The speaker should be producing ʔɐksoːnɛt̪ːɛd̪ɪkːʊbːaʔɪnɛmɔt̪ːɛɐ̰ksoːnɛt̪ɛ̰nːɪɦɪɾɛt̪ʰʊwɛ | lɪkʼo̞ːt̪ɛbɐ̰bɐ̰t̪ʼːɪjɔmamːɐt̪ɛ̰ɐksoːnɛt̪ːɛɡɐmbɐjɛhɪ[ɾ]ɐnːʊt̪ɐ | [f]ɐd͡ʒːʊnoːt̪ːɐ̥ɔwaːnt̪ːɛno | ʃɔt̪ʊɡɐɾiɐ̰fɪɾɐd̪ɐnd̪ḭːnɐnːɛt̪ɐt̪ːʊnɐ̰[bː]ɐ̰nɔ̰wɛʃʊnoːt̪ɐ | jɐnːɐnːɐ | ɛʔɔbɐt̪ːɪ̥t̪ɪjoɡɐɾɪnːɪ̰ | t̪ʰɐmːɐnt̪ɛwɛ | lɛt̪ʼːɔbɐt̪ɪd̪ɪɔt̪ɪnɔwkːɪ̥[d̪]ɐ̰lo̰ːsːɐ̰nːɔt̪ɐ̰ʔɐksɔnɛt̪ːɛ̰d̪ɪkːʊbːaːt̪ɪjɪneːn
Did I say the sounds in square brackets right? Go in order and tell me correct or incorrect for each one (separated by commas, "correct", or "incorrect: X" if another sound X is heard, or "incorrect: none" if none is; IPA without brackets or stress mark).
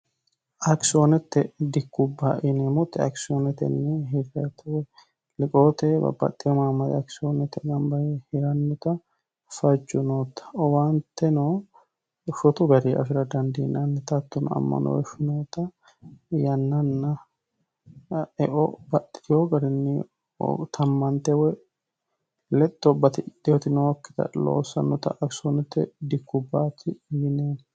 correct, correct, incorrect: mː, incorrect: t̪